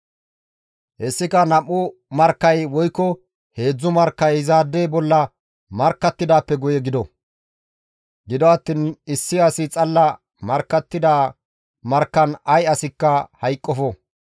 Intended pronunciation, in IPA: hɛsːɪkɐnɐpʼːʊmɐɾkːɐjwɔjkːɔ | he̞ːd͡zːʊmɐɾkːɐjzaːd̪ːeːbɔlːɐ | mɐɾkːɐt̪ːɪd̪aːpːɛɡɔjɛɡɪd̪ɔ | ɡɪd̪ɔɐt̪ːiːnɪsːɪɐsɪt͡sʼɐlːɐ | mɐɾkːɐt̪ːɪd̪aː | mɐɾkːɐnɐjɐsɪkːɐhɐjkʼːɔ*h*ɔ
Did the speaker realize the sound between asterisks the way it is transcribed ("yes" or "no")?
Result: no